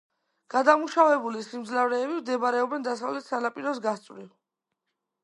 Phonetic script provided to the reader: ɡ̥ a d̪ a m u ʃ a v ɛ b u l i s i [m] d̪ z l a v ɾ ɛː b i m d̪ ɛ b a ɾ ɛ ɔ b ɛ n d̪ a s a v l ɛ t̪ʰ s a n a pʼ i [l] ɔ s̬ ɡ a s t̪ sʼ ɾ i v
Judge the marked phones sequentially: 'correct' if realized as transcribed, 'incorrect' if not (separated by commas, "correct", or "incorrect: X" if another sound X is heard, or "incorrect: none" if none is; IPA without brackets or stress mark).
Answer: correct, incorrect: ɾ